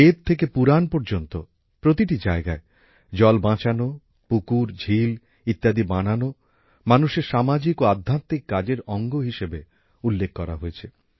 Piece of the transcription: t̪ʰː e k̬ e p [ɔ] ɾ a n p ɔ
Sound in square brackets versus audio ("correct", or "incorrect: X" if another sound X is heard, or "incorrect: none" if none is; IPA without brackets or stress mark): incorrect: u